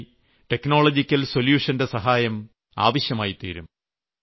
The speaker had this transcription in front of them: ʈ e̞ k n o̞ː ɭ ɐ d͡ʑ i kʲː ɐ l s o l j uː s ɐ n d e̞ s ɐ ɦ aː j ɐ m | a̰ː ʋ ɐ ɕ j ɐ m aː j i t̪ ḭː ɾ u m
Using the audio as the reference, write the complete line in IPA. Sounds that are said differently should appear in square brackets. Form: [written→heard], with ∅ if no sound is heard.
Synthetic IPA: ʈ e̞ k n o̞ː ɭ ɐ d͡ʑ i kʲː ɐ l s o l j uː [s→ʂ] ɐ n d e̞ s ɐ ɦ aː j ɐ m | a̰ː ʋ ɐ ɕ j ɐ m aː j i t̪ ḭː ɾ u m